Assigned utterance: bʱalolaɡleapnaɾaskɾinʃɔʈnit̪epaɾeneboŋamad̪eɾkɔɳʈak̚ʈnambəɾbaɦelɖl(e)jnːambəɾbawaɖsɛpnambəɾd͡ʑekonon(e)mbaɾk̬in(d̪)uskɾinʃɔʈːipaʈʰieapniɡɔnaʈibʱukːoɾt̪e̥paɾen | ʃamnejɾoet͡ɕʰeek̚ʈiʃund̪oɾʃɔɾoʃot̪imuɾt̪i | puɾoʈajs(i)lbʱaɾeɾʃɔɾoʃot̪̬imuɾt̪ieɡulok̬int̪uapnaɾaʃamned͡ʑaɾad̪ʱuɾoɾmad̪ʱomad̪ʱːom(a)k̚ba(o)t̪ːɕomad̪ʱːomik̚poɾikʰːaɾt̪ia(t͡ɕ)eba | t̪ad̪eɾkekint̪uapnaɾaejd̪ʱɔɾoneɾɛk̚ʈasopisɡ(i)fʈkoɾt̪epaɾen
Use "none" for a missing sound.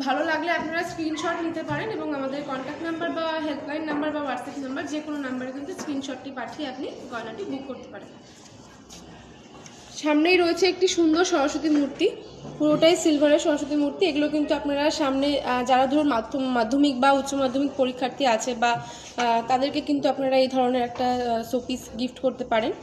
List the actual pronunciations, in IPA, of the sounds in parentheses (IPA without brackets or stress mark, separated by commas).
a, a, t̪, i, i, u, t͡ɕʰ, i